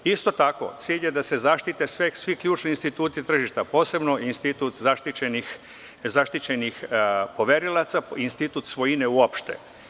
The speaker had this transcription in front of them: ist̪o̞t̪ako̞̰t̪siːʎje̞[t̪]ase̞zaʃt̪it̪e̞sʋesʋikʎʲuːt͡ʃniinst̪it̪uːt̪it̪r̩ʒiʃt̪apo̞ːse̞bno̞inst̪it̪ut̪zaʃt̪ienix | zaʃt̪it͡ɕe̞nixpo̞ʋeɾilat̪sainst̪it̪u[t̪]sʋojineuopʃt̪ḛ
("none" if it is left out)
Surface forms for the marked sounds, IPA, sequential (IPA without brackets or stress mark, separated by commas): d̪, t̪